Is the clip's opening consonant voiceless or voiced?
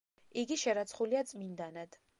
voiced